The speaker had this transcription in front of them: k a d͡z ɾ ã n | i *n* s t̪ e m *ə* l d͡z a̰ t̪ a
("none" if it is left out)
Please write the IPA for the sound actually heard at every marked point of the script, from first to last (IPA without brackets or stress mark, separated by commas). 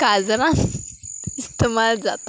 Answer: none, a